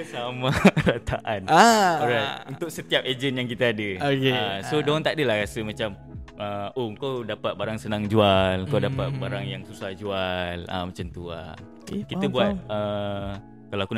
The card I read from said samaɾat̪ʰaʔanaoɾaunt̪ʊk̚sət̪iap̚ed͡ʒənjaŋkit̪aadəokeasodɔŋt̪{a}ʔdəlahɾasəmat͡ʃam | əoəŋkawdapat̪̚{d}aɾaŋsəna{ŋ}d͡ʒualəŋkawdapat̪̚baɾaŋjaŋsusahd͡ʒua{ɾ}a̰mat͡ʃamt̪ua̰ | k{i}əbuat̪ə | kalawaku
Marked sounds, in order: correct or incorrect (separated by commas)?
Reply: correct, incorrect, correct, incorrect, correct